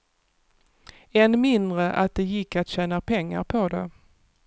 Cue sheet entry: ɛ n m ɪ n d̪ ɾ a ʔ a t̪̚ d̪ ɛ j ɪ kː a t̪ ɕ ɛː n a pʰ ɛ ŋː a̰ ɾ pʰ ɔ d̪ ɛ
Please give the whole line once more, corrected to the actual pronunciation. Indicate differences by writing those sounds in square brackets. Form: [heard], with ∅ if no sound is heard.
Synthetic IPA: ɛ n m ɪ n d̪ ɾ [ə] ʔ a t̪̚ d̪ ɛ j ɪ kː a t̪ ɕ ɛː n a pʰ ɛ ŋː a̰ ɾ pʰ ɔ d̪ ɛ